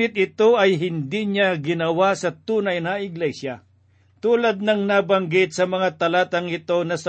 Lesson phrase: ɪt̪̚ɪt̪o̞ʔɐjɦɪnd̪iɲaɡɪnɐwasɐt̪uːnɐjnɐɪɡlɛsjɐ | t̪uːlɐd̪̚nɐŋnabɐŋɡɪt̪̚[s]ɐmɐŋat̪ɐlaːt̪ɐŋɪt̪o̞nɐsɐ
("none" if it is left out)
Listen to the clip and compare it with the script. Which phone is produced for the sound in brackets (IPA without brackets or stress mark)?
s